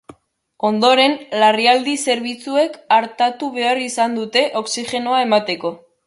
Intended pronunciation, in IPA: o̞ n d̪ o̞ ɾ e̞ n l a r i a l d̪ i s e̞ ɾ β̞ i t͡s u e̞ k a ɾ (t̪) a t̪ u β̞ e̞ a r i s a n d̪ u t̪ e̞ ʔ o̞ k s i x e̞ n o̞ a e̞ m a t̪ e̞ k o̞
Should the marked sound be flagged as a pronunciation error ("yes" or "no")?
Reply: no